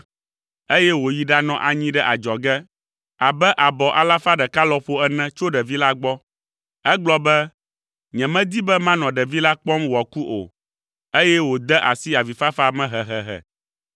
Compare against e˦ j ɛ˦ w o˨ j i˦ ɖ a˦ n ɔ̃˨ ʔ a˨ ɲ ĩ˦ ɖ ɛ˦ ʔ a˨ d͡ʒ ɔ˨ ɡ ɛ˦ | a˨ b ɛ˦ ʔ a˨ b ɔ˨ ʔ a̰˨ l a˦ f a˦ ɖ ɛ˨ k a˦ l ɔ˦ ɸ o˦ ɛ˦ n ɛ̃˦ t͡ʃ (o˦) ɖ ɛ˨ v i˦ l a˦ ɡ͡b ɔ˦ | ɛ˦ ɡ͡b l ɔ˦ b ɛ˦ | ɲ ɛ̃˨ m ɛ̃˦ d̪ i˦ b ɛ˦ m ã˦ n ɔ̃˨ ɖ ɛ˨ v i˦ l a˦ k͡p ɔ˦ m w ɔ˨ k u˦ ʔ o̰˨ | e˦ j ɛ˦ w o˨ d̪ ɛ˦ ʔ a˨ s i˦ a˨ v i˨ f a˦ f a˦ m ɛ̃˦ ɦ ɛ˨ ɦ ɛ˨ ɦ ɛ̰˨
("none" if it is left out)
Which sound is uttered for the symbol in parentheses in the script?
o˦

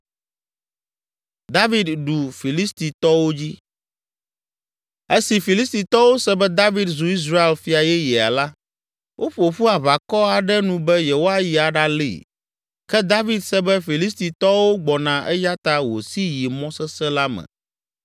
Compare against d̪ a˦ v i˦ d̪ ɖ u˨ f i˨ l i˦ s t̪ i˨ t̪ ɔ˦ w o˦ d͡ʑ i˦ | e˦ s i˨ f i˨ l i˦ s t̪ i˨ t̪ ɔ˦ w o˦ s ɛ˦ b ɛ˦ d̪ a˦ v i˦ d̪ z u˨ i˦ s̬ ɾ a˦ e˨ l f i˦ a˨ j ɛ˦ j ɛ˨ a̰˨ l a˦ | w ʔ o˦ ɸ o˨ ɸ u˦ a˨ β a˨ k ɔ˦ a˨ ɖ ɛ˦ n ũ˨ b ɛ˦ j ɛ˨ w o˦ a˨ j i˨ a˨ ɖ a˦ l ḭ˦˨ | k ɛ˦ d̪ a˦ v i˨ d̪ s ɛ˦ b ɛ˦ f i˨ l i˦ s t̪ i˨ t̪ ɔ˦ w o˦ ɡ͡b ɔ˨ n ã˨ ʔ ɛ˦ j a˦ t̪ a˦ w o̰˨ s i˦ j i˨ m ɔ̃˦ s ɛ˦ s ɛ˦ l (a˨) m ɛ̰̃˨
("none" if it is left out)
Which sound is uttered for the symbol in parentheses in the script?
a˦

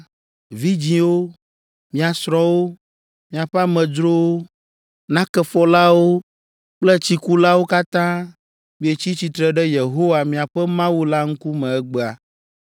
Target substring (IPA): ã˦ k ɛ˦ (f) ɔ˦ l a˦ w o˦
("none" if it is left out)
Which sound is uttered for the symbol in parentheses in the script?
f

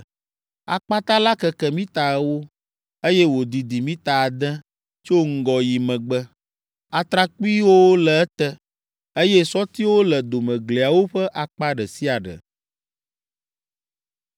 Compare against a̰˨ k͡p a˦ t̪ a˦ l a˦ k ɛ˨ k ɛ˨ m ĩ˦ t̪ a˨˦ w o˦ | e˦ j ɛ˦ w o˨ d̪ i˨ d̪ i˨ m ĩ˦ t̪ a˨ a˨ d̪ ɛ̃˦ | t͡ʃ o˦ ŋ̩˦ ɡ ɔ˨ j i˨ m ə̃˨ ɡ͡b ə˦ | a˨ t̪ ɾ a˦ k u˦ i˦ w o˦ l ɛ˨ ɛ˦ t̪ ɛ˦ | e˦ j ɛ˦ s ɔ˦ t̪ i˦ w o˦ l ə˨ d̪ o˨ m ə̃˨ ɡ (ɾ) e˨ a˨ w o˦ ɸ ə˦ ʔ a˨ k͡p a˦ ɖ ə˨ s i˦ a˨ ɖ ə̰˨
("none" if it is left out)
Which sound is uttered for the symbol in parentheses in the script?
l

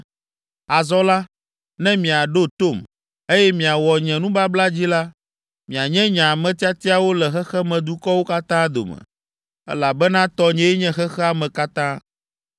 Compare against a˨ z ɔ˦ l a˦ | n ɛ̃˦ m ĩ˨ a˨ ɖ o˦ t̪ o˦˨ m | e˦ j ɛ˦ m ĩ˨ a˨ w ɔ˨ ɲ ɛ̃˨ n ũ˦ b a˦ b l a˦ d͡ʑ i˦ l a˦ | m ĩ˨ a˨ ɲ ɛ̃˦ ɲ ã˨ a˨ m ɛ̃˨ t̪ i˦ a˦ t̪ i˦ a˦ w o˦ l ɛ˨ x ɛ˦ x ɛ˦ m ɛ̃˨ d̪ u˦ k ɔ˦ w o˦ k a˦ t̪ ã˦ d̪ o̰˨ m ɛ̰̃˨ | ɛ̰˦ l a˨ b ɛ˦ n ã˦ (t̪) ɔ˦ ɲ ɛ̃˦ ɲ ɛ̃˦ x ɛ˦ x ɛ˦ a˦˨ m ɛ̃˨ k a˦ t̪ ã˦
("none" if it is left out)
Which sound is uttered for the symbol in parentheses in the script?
t̪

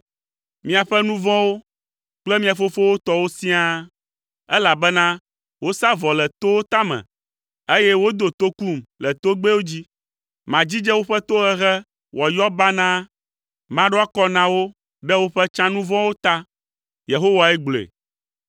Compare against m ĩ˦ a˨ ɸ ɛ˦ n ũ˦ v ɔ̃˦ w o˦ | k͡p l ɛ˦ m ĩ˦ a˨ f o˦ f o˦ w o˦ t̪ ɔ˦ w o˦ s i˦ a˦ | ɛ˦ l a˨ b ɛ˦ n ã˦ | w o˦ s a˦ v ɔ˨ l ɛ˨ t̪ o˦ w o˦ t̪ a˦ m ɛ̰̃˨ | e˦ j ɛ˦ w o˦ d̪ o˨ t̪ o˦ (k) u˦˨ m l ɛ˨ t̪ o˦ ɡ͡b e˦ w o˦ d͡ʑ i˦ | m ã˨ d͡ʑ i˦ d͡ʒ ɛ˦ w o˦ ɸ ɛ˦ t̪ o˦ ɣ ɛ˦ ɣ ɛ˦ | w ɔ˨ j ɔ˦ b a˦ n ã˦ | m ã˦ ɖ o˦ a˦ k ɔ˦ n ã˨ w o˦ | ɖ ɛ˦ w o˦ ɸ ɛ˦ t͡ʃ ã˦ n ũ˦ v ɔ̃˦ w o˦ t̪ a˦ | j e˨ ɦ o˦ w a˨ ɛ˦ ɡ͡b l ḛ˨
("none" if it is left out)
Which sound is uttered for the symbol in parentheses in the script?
k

